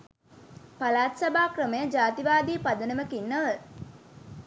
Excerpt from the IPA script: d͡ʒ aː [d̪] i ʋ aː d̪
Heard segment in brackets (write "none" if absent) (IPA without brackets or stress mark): t̪